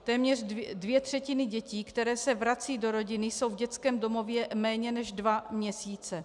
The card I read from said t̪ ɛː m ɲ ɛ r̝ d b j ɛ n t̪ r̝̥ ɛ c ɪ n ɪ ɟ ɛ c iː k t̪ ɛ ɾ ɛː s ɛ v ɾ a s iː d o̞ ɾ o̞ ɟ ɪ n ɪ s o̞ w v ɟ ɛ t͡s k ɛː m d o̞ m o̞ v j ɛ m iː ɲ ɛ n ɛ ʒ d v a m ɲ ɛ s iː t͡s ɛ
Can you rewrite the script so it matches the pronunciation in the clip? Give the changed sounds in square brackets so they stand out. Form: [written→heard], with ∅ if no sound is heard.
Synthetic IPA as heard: t̪ ɛː m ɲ ɛ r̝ d [b→v] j ɛ [n→∅] t̪ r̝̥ ɛ c ɪ n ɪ ɟ ɛ c iː k t̪ ɛ ɾ ɛː s ɛ v ɾ a [s→t͡s] iː d o̞ ɾ o̞ ɟ ɪ n ɪ s o̞ w v ɟ ɛ t͡s k ɛː m d o̞ m o̞ v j ɛ m [iː→ɛː] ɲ ɛ n ɛ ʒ d v a m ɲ ɛ s iː t͡s ɛ